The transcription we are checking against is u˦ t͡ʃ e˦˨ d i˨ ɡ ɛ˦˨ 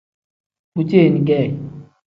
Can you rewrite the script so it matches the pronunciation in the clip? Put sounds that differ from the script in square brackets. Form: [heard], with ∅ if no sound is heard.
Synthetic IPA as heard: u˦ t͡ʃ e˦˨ [n] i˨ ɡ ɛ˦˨